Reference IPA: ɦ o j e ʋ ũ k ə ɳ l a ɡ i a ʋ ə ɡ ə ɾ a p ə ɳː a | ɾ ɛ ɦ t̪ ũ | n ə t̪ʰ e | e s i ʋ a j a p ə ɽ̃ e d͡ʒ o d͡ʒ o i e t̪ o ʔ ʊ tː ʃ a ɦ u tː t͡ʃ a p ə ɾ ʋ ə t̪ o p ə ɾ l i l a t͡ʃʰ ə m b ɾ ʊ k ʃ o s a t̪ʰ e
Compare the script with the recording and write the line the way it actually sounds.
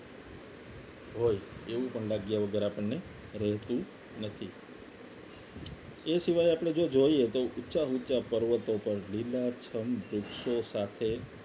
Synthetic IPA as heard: ɦ o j e ʋ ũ p ə ɳ l a ɡ j a ʋ ə ɡ ə ɾ a p ə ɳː e | ɾ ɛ ɦ t̪ ũ | n ə t̪ʰ i | e s i ʋ a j a p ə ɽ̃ e d͡ʒ o d͡ʒ o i e t̪ o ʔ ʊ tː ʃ a ɦ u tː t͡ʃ a p ə ɾ ʋ ə t̪ o p ə ɾ l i l a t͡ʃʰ ə m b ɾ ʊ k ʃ o s a t̪ʰ e